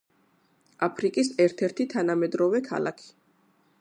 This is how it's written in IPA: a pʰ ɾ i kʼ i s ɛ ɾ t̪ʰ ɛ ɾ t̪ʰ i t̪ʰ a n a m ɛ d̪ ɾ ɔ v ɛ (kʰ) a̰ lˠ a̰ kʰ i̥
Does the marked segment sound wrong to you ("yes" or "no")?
no